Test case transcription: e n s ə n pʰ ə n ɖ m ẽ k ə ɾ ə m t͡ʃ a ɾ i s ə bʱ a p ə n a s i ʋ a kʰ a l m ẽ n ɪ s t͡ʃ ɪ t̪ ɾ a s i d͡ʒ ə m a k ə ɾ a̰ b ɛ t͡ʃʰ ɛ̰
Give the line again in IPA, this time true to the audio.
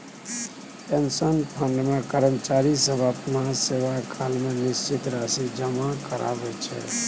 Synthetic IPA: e n s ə n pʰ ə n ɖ m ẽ k ə ɾ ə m t͡ʃ a ɾ i s ə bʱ a p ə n a s e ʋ a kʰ a l m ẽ n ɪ s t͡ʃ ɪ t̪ ɾ a s i d͡ʒ ə m a k ə ɾ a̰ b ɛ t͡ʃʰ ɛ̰